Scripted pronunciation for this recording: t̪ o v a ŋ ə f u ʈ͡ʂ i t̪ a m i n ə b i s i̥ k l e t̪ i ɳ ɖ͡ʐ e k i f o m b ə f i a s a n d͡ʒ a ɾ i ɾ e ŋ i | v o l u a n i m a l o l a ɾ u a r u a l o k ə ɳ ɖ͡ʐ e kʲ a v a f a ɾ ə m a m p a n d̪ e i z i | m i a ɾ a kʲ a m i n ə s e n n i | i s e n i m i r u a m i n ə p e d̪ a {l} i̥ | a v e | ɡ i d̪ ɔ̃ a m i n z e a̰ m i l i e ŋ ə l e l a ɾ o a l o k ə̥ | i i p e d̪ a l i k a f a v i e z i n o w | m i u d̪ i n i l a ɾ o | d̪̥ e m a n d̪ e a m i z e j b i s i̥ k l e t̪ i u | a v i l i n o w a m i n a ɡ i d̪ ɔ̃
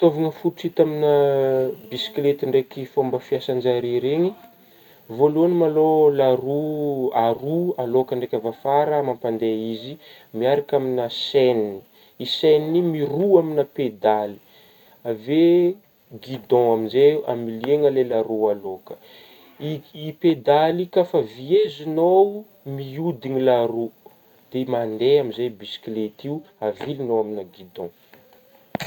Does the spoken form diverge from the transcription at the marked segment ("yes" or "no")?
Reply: no